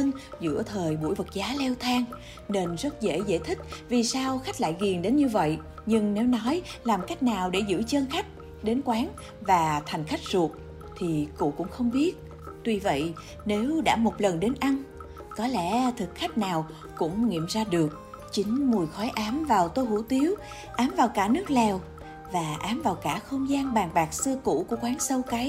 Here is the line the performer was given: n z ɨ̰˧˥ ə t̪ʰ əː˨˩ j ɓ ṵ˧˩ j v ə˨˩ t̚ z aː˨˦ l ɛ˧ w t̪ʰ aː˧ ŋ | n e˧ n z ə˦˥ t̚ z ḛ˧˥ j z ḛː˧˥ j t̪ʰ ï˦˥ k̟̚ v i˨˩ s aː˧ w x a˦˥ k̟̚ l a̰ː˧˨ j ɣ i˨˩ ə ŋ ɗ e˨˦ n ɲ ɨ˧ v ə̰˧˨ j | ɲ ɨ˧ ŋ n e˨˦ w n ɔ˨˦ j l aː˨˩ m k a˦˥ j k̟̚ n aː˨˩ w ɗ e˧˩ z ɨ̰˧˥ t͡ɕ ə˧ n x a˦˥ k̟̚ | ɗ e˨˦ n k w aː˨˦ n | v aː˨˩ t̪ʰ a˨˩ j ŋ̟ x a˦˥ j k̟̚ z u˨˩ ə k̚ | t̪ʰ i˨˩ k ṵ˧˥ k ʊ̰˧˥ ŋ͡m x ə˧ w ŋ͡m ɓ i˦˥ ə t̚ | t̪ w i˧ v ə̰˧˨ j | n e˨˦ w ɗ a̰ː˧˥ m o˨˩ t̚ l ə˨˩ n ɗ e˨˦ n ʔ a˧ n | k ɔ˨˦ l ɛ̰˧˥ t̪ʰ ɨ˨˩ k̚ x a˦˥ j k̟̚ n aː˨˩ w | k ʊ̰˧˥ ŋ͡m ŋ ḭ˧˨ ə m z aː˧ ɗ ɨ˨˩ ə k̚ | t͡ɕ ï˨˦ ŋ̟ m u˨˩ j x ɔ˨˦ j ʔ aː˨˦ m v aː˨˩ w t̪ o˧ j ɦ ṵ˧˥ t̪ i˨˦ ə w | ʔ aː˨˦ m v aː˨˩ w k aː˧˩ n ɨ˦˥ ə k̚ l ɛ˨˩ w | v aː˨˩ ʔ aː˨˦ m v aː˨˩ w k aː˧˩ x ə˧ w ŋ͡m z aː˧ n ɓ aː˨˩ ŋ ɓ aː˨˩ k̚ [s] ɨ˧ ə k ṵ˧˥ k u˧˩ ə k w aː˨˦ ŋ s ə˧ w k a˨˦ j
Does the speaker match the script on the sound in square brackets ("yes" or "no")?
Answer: yes